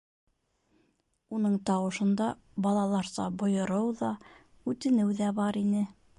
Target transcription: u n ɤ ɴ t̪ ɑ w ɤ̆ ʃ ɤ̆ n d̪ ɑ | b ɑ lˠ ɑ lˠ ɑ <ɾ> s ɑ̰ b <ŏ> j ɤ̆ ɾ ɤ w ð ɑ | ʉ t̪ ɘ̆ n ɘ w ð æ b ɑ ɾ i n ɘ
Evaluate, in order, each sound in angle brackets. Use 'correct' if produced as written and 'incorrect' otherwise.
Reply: correct, correct

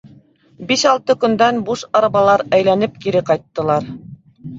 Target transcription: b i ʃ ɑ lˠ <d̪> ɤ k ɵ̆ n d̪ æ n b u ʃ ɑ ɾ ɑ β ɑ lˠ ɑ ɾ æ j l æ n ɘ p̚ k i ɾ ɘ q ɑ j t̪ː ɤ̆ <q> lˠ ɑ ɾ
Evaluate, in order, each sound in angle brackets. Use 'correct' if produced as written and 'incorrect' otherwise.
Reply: incorrect: t̪, incorrect: none

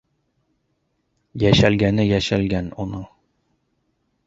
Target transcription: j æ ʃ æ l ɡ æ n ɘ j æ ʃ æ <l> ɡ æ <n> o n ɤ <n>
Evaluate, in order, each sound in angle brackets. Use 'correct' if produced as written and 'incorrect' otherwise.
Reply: correct, correct, incorrect: ɴ

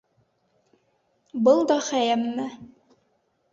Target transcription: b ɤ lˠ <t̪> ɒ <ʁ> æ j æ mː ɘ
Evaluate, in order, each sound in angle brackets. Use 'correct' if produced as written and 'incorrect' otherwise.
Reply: incorrect: d̪, incorrect: χ

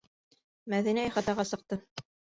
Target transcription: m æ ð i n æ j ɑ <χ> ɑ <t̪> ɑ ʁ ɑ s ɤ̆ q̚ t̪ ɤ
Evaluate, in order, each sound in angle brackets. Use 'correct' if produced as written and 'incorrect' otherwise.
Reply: correct, correct

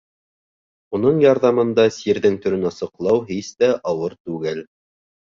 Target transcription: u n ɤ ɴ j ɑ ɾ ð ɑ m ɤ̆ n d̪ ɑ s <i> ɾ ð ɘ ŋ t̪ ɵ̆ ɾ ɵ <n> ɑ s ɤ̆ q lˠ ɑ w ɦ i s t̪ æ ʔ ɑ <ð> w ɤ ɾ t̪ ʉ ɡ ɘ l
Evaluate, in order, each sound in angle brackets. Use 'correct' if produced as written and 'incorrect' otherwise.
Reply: correct, correct, incorrect: none

